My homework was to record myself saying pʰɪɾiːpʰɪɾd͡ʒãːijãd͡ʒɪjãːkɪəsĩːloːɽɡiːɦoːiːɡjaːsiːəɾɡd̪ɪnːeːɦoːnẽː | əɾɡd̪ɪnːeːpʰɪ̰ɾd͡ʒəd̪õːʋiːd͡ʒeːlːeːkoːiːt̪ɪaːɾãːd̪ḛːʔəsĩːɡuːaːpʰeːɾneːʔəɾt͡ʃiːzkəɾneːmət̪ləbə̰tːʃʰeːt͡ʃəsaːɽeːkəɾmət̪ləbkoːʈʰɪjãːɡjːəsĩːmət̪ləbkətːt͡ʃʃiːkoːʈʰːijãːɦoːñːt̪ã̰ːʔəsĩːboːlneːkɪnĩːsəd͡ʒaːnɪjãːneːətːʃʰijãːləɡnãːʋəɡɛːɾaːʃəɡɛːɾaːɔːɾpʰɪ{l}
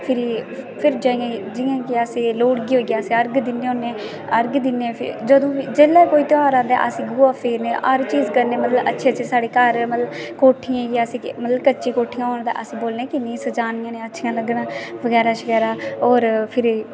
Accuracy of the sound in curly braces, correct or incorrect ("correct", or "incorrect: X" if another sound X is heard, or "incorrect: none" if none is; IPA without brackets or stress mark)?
incorrect: ɾ